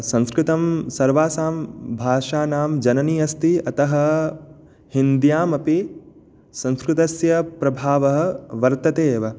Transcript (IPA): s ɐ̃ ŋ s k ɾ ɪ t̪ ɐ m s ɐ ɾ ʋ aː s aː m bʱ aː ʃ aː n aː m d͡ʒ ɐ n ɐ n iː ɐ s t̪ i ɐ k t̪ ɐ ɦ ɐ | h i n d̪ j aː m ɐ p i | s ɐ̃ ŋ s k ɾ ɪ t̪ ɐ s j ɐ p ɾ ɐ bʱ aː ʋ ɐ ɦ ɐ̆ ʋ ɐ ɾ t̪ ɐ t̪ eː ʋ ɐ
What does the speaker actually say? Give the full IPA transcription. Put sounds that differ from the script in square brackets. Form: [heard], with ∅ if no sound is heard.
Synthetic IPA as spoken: s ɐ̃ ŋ s k ɾ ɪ t̪ ɐ m s ɐ ɾ ʋ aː s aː m bʱ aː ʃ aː n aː m d͡ʒ ɐ n ɐ n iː ɐ s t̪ i ɐ [∅] t̪ ɐ ɦ ɐ | h i n d̪ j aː m ɐ p i | s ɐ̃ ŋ s k ɾ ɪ t̪ ɐ s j ɐ p ɾ ɐ bʱ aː ʋ ɐ ɦ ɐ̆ ʋ ɐ ɾ t̪ ɐ t̪ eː ʋ ɐ